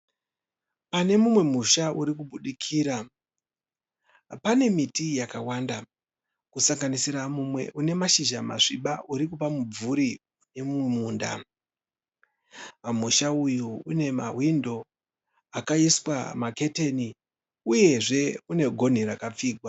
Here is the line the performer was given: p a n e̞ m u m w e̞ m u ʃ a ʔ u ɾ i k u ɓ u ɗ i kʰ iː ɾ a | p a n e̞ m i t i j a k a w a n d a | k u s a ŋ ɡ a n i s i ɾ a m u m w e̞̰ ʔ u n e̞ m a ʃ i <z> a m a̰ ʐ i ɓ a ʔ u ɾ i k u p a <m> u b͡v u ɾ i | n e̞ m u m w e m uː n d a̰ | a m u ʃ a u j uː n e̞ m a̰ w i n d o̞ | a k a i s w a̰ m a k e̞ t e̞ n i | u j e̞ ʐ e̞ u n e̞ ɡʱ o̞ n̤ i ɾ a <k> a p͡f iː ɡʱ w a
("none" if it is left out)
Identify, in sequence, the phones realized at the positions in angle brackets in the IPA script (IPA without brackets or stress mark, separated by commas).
ʒ, m, k